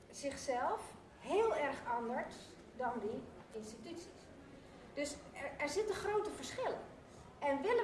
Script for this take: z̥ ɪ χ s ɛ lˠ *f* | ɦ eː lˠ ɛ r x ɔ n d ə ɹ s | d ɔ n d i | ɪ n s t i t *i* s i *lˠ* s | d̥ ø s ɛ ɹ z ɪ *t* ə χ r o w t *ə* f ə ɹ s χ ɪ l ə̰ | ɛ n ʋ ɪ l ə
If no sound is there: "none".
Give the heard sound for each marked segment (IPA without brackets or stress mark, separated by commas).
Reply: f, y, none, t, ə